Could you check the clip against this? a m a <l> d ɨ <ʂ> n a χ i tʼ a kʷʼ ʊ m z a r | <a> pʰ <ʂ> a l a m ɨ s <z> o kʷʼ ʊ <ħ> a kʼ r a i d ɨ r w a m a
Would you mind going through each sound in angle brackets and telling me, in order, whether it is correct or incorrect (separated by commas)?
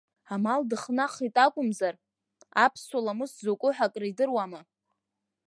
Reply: correct, incorrect, correct, incorrect, correct, correct